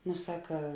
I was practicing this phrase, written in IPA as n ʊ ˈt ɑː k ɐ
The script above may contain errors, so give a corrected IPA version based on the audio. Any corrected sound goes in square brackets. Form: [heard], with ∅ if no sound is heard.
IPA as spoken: n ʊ [ˈs] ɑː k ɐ